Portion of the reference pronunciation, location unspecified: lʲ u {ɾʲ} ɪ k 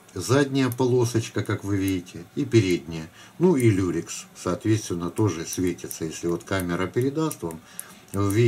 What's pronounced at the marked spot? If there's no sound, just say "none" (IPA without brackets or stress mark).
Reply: ɾʲ